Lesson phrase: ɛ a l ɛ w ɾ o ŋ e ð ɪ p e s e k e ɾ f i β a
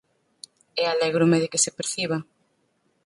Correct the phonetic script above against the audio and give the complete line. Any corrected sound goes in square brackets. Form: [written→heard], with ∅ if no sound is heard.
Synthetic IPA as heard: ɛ a l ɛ [w→ɣ] ɾ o [ŋ→m] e ð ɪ [p→k] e s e [k→p] e ɾ [f→θ] i β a